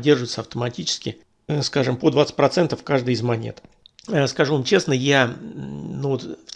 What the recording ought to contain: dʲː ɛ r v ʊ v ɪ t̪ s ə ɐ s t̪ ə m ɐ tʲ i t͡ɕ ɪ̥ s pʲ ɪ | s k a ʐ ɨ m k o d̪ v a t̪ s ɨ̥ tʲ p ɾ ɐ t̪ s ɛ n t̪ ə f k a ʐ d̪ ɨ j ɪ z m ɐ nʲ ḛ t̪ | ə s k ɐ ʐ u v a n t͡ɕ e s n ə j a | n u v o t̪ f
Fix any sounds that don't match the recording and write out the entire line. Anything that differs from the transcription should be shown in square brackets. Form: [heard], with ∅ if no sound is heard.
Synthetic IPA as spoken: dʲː [e] r [ʐ] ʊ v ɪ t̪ s ə ɐ [f] t̪ ə m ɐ tʲ i t͡ɕ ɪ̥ s [kʲ] ɪ | s k a ʐ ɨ m [p] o d̪ v a t̪ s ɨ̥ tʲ p ɾ ɐ t̪ s ɛ n t̪ ə f k a ʐ d̪ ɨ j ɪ z m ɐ nʲ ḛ t̪ | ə s k ɐ ʐ u v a [m] t͡ɕ e s n ə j a | n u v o t̪ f